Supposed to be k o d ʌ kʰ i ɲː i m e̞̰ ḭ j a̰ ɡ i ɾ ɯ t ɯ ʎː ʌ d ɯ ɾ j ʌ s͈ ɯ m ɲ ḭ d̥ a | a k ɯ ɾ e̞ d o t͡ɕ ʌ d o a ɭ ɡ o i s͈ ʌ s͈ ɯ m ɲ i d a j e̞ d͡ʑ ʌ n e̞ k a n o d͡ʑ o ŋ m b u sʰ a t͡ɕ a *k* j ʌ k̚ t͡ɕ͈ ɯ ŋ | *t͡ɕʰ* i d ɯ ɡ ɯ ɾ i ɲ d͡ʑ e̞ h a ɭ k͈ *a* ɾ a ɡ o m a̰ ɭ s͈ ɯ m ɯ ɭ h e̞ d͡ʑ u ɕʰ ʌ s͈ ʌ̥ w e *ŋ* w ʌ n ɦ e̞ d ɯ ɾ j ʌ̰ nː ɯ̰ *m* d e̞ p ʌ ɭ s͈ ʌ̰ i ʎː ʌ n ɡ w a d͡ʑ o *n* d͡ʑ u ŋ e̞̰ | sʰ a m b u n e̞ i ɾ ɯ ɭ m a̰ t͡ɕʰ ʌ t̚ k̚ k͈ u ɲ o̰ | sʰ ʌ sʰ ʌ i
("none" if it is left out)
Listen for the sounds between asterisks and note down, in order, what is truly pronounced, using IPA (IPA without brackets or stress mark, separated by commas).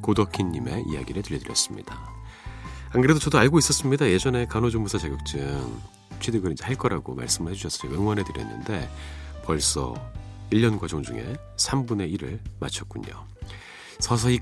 ɡ, t͡ɕʰ, ʌ, ŋ, n, ŋ